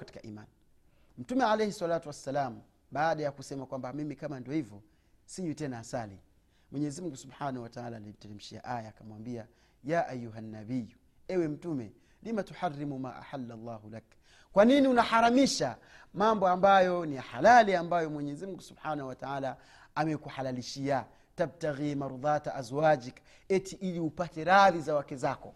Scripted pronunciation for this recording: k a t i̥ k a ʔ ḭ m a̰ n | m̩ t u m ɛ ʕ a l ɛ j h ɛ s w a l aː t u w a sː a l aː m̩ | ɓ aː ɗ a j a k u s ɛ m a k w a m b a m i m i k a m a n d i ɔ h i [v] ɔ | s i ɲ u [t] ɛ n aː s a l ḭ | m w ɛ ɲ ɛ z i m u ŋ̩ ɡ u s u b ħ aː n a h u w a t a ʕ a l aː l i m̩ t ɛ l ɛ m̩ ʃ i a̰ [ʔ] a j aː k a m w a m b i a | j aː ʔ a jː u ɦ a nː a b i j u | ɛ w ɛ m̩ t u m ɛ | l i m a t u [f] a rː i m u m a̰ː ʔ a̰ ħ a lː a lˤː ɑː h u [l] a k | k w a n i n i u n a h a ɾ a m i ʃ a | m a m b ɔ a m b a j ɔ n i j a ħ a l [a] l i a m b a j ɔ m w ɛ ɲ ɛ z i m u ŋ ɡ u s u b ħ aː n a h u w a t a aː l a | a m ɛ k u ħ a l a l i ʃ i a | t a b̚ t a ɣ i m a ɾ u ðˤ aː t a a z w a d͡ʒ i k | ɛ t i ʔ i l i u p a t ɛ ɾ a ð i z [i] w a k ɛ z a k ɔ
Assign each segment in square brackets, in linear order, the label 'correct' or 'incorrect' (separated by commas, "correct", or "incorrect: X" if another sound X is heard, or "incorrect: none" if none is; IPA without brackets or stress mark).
correct, correct, correct, incorrect: ħ, correct, correct, incorrect: a